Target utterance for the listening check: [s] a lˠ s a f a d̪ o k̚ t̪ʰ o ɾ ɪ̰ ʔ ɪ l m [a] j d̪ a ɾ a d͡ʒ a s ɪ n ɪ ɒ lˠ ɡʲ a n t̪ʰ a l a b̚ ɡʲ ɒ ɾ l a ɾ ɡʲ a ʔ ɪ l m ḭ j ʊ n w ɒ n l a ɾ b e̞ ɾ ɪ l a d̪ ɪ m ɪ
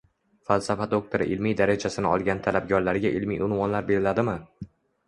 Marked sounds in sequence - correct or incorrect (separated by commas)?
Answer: incorrect, incorrect